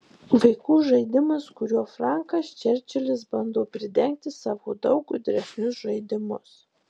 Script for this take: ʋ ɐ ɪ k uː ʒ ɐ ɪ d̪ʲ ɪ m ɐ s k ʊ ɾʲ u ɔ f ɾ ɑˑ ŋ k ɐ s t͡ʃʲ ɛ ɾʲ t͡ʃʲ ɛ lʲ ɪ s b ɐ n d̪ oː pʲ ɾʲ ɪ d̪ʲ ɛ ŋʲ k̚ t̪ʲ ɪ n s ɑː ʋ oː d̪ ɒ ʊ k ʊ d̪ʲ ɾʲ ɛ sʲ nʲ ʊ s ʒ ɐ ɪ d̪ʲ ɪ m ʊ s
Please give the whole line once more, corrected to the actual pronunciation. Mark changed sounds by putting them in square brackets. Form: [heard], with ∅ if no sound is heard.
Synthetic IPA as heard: ʋ ɐ ɪ k uː ʒ ɐ ɪ d̪ʲ ɪ m ɐ s k ʊ ɾʲ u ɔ f ɾ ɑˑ ŋ k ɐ s t͡ʃʲ ɛ ɾʲ t͡ʃʲ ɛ lʲ ɪ s b ɐ n d̪ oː pʲ ɾʲ ɪ d̪ʲ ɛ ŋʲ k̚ t̪ʲ ɪ [∅] s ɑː ʋ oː d̪ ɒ ʊ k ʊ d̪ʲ ɾʲ ɛ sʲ nʲ ʊ s ʒ ɐ ɪ d̪ʲ ɪ m ʊ s